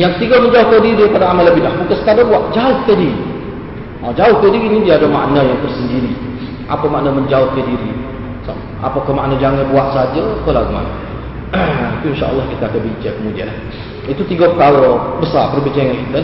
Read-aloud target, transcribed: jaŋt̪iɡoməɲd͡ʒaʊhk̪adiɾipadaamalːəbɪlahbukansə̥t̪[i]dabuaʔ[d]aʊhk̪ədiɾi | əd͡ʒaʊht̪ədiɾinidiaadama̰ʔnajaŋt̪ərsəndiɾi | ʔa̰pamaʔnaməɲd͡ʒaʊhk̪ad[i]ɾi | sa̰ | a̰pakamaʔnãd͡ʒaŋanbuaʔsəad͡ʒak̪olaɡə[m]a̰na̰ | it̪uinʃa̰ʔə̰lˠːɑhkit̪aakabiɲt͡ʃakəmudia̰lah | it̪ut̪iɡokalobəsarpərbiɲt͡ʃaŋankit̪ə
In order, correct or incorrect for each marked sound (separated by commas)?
incorrect, incorrect, correct, correct